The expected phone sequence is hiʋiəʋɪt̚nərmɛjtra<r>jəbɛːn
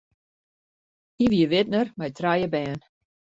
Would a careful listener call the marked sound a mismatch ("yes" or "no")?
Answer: yes